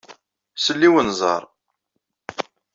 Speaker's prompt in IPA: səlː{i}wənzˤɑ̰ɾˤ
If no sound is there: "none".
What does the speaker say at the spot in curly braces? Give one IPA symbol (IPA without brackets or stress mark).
i